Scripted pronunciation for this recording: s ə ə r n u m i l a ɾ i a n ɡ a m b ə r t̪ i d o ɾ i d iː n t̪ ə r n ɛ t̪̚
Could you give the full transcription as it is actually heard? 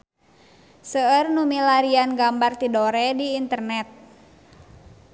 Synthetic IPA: s ə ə r n u m i l a ɾ i a n ɡ a m b a r t̪ i d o ɾ ɛ d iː n t̪ ə r n ɛ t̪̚